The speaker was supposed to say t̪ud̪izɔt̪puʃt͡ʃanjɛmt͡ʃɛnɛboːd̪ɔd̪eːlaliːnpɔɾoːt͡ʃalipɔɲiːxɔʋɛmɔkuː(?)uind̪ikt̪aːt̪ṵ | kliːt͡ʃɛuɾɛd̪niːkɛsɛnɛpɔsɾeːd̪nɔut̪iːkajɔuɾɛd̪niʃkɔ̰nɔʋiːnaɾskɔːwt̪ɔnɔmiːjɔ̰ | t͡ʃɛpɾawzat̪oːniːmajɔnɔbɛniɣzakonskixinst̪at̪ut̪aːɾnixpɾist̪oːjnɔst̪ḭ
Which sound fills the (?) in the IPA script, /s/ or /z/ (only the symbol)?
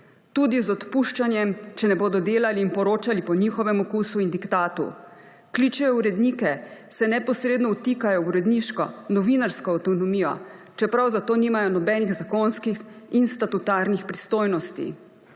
s